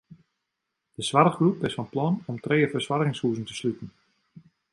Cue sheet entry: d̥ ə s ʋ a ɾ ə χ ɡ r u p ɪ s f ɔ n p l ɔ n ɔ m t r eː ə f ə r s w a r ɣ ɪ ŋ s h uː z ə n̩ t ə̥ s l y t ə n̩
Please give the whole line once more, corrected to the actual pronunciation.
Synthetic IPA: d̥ ə s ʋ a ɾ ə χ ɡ r u p ɪ s f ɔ n p l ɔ n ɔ m t r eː ə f ə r s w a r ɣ ɪ ŋ s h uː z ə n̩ t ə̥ s l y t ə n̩